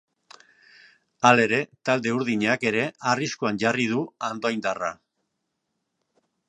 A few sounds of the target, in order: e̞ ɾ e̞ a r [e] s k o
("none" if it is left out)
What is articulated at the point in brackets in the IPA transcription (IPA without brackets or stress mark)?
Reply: i